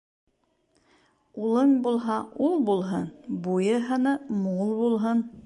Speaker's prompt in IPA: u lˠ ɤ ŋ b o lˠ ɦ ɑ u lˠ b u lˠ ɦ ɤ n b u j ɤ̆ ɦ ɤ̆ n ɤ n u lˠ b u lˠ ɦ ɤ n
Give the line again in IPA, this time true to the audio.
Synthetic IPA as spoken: u lˠ ɤ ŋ b u lˠ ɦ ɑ u lˠ b u lˠ ɦ ɤ n b u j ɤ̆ ɦ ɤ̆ n ɤ m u lˠ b u lˠ ɦ ɤ n